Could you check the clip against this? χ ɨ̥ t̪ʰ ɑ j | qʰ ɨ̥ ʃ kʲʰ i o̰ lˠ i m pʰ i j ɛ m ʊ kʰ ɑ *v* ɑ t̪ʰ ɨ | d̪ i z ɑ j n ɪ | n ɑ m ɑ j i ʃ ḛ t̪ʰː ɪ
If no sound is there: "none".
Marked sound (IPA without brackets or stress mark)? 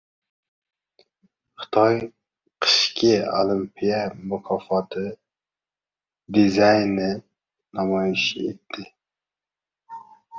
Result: f